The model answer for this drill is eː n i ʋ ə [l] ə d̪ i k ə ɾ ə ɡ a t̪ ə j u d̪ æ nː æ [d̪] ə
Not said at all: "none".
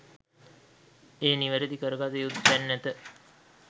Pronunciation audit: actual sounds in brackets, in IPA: ɾ, t̪

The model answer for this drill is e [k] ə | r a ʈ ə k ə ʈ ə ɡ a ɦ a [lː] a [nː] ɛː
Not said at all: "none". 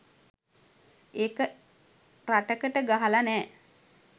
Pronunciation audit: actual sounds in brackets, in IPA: k, l, n

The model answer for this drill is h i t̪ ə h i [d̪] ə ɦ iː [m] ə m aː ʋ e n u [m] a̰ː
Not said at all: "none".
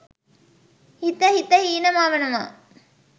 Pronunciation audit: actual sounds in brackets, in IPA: t̪, n, m

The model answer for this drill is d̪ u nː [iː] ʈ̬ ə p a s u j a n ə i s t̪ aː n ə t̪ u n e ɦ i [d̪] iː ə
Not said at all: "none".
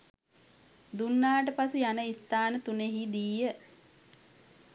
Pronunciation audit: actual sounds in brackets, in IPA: aː, d̪

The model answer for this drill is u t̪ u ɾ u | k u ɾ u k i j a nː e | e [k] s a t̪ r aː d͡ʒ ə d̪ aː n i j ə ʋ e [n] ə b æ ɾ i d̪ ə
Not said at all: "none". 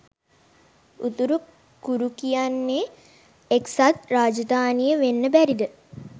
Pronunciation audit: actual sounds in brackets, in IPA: k, nː

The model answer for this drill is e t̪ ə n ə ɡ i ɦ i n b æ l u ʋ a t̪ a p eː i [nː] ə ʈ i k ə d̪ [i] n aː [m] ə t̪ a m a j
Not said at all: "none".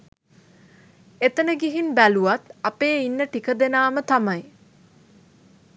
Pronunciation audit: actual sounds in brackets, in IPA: nː, e, m

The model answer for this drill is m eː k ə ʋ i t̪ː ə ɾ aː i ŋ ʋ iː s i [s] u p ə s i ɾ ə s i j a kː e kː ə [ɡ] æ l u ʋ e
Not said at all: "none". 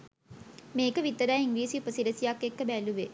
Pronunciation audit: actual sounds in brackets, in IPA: none, b

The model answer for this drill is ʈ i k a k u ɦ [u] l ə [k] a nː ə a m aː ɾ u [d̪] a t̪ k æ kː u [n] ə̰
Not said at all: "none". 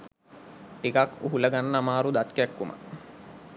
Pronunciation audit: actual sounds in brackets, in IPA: u, ɡ, d̪, m

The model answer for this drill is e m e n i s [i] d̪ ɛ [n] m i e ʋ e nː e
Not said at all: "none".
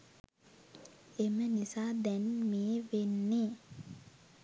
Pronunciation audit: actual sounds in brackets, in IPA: a, n

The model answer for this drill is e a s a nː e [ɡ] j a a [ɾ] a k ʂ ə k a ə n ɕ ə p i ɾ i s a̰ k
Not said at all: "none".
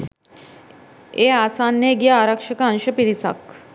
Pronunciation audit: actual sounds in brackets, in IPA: ɡ, ɾ

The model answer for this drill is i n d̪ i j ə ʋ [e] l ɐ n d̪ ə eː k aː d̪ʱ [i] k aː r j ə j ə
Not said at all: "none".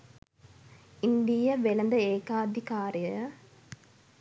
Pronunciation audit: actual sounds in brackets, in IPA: e, i

